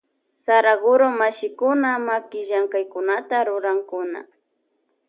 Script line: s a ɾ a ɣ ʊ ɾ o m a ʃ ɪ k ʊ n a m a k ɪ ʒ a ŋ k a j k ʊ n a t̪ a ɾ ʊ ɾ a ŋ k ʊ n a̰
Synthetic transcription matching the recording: s a ɾ a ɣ ʊ ɾ o m a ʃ ɪ k ʊ n a m a k ɪ ʒ a ŋ k a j k ʊ n a t̪ a ɾ ʊ ɾ a ŋ k ʊ n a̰